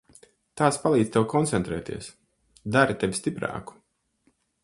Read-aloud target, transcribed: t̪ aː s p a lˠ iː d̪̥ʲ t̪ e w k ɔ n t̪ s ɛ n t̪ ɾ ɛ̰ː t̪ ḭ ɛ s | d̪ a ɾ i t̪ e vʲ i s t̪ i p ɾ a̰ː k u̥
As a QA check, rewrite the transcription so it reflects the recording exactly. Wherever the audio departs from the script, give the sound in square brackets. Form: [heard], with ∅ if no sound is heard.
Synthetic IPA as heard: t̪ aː s p a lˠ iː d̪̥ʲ t̪ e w k ɔ n t̪ s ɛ n t̪ ɾ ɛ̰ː t̪ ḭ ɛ s | d̪ a ɾ i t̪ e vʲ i s t̪ i p ɾ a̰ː k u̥